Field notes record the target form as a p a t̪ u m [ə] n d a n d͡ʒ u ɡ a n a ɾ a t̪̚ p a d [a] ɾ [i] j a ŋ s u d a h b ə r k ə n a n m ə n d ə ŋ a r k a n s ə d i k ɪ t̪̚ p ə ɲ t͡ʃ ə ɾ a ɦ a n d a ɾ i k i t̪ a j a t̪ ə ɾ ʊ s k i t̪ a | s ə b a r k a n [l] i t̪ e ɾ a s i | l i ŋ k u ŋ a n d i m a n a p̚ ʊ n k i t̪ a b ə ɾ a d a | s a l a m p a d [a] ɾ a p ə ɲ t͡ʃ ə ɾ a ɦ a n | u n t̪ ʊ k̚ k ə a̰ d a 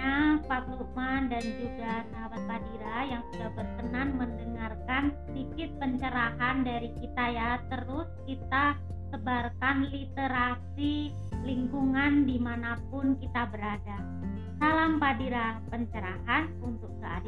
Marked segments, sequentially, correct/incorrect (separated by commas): incorrect, incorrect, incorrect, correct, incorrect